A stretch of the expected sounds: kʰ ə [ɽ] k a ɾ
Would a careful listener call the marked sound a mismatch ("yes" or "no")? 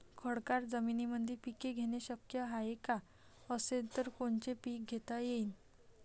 no